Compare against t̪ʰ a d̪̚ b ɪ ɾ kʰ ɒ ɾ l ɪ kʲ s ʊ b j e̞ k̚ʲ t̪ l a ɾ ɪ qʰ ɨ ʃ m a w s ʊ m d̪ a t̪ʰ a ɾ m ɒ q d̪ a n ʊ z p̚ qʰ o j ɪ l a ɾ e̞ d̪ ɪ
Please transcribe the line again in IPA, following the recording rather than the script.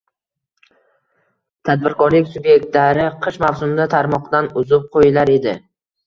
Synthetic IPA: t̪ʰ a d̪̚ b ɪ ɾ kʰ ɒ ɾ l ɪ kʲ s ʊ b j e̞ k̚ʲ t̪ l a ɾ ɪ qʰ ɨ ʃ m a w s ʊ m d̪ a t̪ʰ a ɾ m ɒ q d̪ a n ʊ z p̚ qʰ o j ɪ l a ɾ e̞ d̪ ɪ